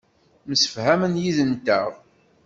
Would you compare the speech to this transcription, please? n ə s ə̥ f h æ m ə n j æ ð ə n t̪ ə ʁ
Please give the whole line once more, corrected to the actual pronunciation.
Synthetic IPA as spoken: m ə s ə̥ f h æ m ə n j i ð ə n t̪ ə ʁ

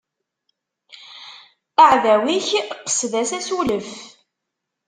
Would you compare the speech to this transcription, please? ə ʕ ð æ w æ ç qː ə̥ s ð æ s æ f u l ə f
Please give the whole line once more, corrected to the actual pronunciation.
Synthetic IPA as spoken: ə ʕ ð æ w i ç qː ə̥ s ð æ s æ s u l ə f

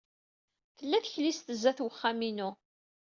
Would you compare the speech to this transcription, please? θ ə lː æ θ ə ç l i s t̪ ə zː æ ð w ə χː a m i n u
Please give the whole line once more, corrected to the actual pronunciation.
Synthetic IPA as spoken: θ ə lː æ θ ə ç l i s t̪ ə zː æ θ w ə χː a m i n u

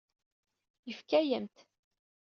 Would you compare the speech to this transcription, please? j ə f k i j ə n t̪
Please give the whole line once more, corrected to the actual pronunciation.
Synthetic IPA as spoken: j ə f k æ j ə m t̪

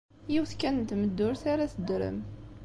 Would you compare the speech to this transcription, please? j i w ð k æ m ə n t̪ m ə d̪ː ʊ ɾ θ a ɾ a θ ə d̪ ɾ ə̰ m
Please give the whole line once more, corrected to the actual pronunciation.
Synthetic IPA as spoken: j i w θ k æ n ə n t̪ m ə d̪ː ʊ ɾ θ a ɾ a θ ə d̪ ɾ ə̰ m

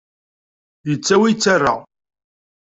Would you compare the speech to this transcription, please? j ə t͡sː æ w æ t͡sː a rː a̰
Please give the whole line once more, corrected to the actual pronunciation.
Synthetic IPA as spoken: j ə t͡sː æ w i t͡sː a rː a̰

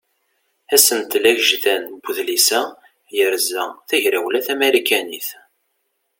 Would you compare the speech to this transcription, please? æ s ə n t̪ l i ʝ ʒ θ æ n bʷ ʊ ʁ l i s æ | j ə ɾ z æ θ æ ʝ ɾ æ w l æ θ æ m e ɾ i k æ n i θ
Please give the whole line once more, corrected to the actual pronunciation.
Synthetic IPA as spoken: æ s ə n t̪ l æ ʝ ʒ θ æ n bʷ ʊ ð l i s æ | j ə ɾ z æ θ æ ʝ ɾ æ w l æ θ æ m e ɾ i k æ n i θ

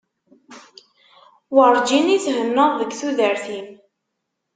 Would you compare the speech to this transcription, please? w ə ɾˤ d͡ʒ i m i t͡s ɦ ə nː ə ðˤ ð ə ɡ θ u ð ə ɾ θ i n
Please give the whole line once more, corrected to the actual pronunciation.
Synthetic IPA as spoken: w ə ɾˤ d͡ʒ i n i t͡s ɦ ə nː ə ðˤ ð ə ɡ θ u ð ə ɾ θ i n

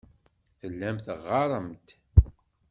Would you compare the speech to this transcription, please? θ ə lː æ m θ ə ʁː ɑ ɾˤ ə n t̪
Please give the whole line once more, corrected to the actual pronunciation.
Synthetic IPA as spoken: θ ə lː æ m θ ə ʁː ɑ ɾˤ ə m t̪

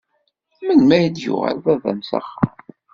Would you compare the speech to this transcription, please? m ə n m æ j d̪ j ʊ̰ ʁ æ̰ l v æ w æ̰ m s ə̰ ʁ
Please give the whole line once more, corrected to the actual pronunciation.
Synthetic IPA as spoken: m ə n m æ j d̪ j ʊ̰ ʁ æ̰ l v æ v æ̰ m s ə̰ χ

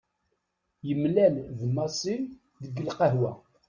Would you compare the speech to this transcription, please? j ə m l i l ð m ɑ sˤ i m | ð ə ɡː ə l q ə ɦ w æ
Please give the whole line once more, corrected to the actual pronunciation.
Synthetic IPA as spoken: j ə m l æ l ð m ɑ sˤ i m | ð ə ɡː ə l q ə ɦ w æ

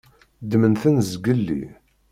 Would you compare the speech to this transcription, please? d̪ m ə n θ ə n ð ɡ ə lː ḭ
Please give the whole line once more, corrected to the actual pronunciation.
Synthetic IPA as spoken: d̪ m ə n θ ə n z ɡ ə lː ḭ

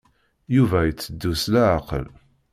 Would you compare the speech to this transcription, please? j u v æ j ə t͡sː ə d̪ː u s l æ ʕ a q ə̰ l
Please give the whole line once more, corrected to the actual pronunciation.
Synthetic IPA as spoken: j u v æ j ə t͡sː ə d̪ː u s l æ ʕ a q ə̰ l

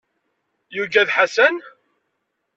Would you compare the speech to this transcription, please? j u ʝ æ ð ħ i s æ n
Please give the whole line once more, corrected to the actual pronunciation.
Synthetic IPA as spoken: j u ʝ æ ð ħ a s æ n

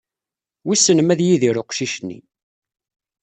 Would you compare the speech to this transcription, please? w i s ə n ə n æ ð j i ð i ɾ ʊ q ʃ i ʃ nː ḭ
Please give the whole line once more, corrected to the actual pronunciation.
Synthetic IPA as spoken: w i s ə n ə m æ ð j i ð i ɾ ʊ q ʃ i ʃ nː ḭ

